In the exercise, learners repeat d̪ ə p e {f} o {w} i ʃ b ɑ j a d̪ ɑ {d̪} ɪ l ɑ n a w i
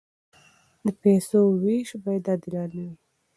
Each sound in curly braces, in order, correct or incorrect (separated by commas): incorrect, correct, correct